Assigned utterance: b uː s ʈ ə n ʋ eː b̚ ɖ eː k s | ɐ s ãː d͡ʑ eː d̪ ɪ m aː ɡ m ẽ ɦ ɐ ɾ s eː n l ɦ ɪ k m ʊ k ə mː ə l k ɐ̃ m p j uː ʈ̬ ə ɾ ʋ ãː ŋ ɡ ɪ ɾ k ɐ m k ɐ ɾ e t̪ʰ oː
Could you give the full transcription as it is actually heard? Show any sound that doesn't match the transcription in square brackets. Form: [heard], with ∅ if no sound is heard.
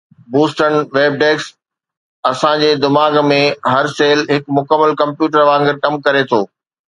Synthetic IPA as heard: b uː s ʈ ə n ʋ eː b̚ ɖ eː k s | ɐ s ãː d͡ʑ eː d̪ ɪ m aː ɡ m ẽ ɦ ɐ ɾ s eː [∅] l ɦ ɪ k m ʊ k ə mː ə l k ɐ̃ m p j uː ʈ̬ ə ɾ ʋ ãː ŋ ɡ ɪ ɾ k ɐ m k ɐ ɾ e t̪ʰ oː